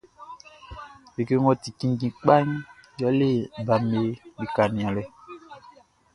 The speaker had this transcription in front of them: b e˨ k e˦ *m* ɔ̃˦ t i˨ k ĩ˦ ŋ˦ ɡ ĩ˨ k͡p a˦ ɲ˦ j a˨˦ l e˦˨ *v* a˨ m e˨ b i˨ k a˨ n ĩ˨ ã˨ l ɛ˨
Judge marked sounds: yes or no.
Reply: no, no

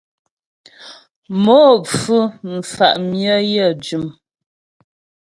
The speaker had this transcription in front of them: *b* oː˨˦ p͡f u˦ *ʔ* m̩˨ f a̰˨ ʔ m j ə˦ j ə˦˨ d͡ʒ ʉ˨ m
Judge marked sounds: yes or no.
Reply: no, no

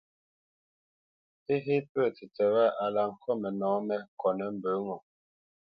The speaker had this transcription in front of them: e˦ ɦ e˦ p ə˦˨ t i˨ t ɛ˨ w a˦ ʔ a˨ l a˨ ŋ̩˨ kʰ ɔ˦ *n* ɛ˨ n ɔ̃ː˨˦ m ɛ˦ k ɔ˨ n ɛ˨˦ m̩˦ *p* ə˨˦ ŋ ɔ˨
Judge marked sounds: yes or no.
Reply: no, no

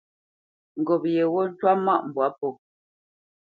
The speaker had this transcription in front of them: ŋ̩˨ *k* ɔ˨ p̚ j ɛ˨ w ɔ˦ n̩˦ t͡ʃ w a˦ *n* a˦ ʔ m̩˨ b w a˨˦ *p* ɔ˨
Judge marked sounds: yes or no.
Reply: no, no, yes

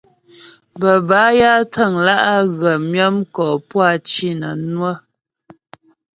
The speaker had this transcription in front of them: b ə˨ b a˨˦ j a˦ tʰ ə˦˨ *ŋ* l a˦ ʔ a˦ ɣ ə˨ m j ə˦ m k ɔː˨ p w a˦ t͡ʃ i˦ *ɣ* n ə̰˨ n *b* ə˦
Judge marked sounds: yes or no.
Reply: yes, no, no

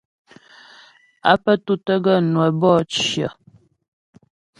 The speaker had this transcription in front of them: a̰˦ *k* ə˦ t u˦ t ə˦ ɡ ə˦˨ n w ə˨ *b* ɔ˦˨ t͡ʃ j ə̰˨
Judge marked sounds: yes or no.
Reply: no, yes

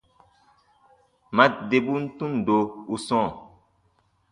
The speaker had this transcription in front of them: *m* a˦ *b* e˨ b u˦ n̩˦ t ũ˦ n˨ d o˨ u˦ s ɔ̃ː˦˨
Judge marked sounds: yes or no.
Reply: yes, no

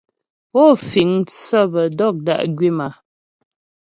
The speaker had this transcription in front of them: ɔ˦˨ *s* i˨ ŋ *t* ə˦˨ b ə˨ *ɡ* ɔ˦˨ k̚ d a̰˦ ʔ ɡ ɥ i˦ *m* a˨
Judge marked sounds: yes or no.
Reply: no, no, no, yes

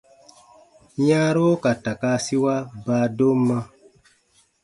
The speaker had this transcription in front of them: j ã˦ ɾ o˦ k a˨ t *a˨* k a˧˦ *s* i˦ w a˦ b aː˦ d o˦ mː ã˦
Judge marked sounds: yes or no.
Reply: yes, yes

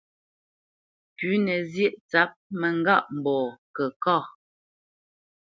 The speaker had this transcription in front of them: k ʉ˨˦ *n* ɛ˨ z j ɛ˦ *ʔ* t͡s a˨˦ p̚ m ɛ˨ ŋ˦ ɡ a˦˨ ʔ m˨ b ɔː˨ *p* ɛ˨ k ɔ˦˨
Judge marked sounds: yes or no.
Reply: yes, yes, no

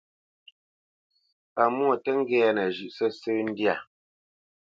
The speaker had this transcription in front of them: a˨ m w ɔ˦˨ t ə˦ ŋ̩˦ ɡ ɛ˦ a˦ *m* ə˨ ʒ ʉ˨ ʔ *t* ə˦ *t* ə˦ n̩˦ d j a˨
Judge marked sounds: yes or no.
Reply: no, no, no

